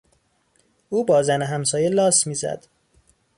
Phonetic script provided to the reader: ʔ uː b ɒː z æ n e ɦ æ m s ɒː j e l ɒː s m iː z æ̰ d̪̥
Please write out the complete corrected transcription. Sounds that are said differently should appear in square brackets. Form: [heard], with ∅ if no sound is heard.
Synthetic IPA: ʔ uː b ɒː z æ n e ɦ æ m s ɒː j e l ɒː s m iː z æ̰ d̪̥